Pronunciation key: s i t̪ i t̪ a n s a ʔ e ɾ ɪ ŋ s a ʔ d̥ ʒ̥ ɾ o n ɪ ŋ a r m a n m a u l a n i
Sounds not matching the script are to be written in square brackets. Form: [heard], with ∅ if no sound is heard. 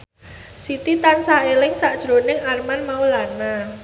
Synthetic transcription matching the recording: s i t̪ i t̪ a n s a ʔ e [l] ɪ ŋ s a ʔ d̥ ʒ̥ ɾ o n ɪ ŋ a r m a n m a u l a n [a]